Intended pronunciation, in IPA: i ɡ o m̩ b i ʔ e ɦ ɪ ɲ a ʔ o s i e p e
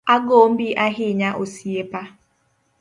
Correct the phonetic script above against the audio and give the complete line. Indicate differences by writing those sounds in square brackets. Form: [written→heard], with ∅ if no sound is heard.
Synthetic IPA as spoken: [i→a] ɡ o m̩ b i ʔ [e→a] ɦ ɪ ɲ a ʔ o s i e p [e→a]

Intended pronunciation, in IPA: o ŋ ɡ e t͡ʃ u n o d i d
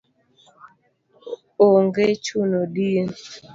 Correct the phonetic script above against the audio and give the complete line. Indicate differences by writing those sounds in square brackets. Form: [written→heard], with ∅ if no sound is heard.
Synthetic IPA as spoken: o ŋ ɡ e t͡ʃ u n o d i [d→n]

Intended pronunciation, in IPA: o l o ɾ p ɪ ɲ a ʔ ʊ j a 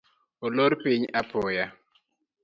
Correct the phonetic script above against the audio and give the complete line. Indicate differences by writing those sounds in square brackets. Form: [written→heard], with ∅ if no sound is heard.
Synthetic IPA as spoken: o l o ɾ p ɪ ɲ a [ʔ→p] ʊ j a

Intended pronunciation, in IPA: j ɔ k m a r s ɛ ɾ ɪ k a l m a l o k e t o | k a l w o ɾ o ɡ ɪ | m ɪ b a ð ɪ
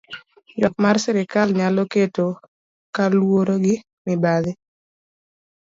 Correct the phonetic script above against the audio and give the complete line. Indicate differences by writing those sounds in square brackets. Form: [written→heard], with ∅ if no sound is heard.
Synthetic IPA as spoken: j ɔ k m a r s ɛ ɾ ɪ k a l [m→ɲ] a l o k e t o | k a l w o ɾ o ɡ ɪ | m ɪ b a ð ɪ

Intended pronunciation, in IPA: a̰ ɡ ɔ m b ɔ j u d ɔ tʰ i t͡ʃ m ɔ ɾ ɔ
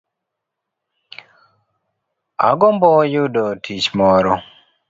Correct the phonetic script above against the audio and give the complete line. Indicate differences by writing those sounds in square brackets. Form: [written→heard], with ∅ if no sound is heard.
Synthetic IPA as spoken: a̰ ɡ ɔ m b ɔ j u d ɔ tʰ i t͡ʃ m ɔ ɾ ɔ

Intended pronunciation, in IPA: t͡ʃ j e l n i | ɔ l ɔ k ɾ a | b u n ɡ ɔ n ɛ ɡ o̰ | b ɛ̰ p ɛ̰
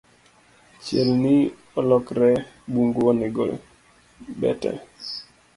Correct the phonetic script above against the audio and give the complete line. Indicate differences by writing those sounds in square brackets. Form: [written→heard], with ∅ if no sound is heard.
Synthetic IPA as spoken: t͡ʃ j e l n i | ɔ l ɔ k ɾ [a→ɛ] | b u [n→ŋ] ɡ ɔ n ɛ ɡ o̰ | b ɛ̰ [p→t] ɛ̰

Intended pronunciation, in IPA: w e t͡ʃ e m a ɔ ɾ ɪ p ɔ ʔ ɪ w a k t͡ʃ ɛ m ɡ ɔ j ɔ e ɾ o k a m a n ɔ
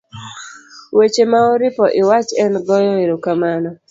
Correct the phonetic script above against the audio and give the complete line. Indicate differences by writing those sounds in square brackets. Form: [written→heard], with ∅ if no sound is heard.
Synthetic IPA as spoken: w e t͡ʃ e m a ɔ ɾ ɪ p ɔ ʔ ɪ w a [k→∅] t͡ʃ ɛ [m→n] ɡ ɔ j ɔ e ɾ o k a m a n ɔ

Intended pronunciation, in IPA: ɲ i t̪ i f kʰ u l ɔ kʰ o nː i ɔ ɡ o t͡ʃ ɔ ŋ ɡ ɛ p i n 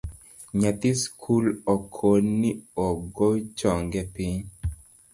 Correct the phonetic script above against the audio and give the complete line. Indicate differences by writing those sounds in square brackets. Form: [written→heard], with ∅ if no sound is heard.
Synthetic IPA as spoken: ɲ [i→a] t̪ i [f→s] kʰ u l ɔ kʰ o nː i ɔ ɡ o t͡ʃ ɔ ŋ ɡ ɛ p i [n→ɲ]

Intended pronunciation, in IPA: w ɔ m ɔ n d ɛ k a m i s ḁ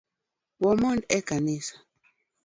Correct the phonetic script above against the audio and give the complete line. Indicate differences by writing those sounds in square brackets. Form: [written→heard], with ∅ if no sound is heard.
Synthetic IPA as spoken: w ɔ m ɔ n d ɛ k a [m→n] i s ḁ

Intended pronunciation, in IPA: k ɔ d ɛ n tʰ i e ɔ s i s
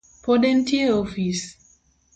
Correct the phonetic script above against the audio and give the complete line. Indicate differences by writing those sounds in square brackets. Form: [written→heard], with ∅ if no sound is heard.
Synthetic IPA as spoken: [k→p] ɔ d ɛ n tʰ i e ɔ [s→f] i s

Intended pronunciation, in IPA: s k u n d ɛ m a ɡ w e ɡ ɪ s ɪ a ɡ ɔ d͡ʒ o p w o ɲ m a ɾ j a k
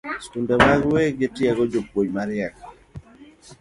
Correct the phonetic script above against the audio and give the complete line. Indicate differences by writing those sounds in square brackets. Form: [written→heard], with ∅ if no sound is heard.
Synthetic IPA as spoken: s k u n d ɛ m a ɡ w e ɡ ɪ [s→t] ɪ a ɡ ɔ d͡ʒ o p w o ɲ m a ɾ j a k

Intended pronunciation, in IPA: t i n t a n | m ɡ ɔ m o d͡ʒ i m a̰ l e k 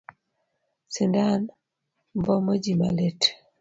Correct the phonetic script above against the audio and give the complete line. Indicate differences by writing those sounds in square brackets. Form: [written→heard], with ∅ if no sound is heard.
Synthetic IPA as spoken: [t→s] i n [t→d] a n | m [ɡ→b] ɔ m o d͡ʒ i m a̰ l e [k→t]

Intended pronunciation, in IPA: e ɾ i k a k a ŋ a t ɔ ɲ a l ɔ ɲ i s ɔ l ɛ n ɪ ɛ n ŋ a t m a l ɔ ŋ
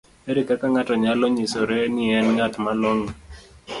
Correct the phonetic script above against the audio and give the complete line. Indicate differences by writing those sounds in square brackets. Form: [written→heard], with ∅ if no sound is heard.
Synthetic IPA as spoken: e ɾ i k a k a ŋ a t ɔ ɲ a l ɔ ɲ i s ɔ [l→ɾ] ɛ n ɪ ɛ n ŋ a t m a l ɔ ŋ

